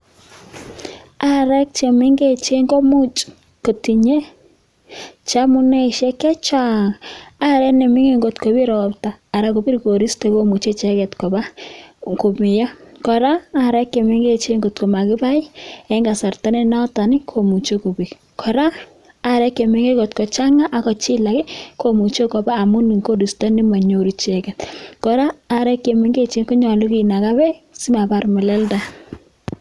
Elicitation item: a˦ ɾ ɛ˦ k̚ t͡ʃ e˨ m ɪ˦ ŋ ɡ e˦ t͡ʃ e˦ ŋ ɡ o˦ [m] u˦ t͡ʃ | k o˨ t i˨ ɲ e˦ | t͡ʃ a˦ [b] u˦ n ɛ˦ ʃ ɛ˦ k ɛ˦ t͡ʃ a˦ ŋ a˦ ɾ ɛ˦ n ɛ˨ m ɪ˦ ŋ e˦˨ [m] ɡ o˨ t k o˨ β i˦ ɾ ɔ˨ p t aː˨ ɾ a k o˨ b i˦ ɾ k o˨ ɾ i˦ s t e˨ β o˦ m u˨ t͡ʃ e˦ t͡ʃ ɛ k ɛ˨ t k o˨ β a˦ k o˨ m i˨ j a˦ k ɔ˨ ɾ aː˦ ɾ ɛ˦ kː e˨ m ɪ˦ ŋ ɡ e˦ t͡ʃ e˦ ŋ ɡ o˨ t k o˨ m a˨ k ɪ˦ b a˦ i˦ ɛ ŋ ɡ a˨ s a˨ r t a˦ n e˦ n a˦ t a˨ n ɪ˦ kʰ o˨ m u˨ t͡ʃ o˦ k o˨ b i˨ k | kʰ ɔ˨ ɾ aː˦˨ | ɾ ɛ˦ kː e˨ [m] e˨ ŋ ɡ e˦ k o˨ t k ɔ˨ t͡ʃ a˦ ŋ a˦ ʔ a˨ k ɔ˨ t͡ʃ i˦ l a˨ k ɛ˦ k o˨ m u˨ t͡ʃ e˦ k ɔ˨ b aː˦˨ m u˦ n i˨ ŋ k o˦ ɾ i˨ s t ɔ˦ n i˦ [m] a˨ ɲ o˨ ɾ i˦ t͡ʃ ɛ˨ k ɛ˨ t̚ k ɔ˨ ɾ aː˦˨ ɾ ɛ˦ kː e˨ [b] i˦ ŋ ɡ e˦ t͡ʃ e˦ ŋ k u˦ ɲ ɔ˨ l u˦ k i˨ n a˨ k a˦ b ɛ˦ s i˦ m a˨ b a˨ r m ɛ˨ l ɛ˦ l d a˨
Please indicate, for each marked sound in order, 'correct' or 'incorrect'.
correct, incorrect: m, incorrect: ŋ, correct, correct, incorrect: m

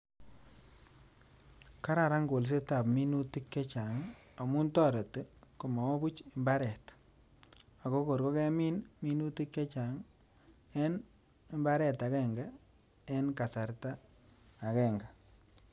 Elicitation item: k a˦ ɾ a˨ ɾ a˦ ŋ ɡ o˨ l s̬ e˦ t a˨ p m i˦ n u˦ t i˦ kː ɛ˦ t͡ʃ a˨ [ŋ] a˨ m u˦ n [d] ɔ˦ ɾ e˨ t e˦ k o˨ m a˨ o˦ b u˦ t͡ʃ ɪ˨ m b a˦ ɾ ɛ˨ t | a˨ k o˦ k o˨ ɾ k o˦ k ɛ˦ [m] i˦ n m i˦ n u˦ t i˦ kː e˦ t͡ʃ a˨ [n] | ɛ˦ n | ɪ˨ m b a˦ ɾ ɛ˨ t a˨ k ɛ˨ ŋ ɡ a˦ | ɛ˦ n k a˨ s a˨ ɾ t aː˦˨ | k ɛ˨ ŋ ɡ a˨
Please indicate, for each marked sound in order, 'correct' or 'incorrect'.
correct, incorrect: t, correct, incorrect: ŋ

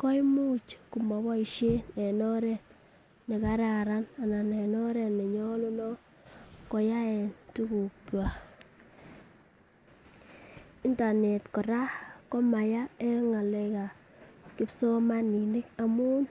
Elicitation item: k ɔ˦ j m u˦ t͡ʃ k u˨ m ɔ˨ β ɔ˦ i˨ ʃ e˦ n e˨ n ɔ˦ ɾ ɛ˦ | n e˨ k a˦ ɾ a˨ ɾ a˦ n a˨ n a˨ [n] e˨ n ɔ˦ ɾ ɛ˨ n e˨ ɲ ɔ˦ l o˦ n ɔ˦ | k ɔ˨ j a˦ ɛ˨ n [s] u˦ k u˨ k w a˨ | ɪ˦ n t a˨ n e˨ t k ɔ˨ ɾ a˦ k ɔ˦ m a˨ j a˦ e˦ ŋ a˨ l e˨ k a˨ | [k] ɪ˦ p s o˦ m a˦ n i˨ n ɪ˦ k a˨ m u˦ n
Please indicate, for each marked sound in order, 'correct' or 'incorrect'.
correct, incorrect: t, correct

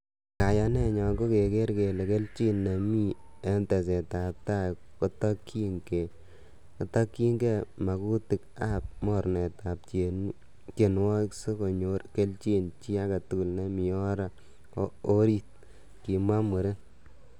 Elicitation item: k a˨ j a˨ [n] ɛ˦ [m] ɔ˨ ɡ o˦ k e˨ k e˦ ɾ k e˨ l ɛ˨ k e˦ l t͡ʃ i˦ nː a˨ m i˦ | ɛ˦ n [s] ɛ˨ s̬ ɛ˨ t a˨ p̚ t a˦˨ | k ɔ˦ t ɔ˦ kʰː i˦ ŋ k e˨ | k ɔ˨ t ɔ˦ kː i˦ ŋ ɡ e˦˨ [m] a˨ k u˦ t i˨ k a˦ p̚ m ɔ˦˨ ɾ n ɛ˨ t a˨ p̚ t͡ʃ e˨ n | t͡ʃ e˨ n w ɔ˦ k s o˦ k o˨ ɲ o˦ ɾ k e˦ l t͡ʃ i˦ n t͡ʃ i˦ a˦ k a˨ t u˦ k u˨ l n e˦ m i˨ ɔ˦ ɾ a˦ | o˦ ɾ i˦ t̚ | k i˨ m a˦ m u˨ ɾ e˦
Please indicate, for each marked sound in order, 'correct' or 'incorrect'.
correct, incorrect: ɲ, incorrect: t, correct

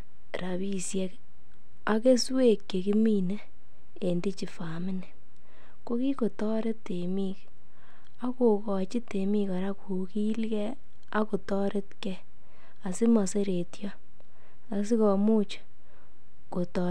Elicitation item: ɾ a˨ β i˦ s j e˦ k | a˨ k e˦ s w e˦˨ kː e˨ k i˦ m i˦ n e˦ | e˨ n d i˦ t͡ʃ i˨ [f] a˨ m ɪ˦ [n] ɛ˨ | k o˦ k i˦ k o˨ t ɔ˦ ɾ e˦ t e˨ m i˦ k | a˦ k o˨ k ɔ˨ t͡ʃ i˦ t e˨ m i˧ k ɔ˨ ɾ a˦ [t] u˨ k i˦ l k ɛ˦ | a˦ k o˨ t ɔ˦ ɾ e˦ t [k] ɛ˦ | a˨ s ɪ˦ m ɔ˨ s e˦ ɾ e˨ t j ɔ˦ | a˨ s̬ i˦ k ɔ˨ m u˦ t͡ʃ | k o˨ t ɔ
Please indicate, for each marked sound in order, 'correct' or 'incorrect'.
correct, correct, incorrect: k, correct

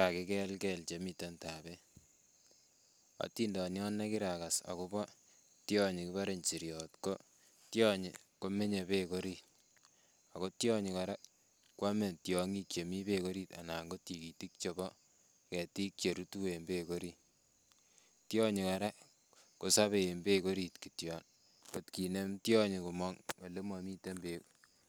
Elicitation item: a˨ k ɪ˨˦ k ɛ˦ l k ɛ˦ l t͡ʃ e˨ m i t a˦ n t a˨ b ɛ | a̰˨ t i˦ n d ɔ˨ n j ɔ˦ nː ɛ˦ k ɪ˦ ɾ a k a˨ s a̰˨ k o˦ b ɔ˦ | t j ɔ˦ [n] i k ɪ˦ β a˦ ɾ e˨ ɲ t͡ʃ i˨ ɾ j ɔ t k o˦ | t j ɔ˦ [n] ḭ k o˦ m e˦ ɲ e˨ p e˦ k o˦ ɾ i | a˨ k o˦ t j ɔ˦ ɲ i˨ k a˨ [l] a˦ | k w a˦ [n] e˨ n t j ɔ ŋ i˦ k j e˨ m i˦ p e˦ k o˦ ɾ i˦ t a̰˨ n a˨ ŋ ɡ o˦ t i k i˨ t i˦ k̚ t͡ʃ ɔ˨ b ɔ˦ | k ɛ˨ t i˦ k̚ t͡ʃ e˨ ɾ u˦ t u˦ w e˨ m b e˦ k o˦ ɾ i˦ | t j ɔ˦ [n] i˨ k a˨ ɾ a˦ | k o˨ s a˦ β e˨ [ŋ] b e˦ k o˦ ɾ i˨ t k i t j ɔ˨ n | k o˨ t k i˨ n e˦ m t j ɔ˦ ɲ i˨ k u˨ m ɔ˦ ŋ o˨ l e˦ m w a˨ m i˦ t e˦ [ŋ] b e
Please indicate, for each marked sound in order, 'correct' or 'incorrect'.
incorrect: ɲ, incorrect: ɲ, incorrect: ɾ, incorrect: m, incorrect: ɲ, incorrect: m, incorrect: m

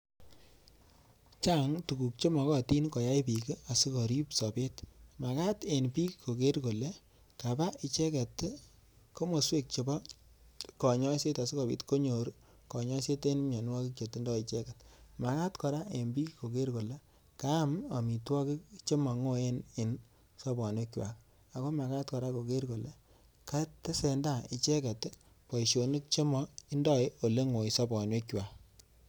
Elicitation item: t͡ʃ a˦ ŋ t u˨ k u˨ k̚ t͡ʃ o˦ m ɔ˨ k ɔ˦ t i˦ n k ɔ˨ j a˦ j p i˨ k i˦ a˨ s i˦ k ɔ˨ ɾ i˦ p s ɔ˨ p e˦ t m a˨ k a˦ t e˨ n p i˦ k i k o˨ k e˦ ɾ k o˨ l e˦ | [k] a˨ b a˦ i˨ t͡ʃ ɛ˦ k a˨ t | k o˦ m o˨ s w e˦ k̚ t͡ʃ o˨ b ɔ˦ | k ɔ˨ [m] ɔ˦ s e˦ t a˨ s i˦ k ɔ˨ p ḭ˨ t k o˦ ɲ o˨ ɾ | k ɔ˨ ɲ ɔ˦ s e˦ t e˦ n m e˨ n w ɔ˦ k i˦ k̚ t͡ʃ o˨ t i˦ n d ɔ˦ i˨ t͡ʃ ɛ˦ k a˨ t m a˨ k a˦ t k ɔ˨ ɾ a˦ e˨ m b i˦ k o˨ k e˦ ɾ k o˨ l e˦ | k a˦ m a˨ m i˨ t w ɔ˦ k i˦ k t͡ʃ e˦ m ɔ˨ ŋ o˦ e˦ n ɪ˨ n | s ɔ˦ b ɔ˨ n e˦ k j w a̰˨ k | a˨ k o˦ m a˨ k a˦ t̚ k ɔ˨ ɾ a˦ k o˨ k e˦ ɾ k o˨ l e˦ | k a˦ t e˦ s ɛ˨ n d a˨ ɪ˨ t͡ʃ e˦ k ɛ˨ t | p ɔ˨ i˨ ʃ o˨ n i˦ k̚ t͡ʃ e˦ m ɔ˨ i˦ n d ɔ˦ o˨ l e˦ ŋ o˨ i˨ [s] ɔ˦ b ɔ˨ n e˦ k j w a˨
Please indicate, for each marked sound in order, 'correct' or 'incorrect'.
correct, incorrect: ɲ, correct

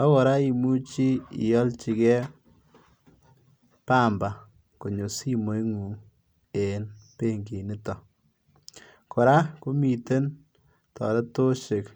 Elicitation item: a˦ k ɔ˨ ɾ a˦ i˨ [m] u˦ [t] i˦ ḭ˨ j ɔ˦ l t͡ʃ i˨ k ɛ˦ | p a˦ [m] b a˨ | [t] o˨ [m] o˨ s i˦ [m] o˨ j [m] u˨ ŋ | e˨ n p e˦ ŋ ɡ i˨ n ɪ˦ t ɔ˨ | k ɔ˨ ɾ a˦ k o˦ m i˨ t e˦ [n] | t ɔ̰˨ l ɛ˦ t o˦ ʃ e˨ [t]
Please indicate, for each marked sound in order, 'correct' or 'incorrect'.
correct, incorrect: t͡ʃ, correct, incorrect: k, incorrect: ɲ, correct, incorrect: ŋ, correct, incorrect: k

